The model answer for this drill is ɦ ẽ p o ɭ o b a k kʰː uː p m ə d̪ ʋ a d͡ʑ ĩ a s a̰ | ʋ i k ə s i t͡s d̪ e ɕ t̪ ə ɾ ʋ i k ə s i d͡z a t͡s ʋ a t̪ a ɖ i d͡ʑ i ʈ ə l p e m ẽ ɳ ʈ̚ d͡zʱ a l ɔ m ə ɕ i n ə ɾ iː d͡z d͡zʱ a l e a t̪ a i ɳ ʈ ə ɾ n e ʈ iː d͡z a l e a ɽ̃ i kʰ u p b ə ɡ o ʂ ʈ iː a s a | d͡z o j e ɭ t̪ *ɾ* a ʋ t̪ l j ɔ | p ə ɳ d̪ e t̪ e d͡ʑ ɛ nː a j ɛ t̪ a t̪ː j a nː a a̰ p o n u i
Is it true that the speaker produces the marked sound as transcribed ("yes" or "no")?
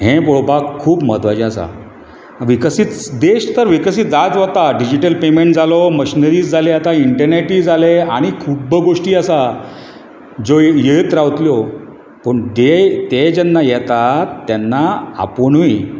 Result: yes